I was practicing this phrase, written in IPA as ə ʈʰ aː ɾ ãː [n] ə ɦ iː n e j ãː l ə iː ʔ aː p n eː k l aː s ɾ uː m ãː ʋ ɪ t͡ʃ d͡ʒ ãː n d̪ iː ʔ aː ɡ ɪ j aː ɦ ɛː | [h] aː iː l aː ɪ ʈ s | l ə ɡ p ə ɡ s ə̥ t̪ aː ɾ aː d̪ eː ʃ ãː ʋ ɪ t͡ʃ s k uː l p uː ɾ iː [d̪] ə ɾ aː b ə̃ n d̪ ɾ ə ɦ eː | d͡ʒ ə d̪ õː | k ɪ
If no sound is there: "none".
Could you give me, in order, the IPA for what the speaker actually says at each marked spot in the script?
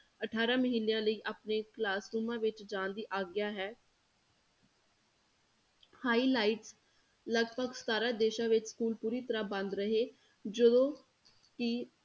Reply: m, h, t̪

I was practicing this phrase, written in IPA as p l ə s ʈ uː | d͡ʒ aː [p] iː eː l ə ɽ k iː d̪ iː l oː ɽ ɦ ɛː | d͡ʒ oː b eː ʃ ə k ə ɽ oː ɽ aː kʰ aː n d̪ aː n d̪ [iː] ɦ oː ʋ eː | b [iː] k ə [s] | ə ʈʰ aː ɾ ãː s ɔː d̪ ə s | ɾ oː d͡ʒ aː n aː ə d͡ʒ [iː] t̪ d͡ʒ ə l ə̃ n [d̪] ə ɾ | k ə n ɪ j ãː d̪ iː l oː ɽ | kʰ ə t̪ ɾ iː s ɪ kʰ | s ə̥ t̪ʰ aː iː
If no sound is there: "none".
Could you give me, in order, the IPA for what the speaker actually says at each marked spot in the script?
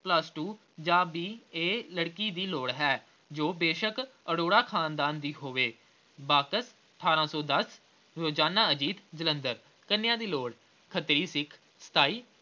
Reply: b, iː, aː, s, iː, d̪

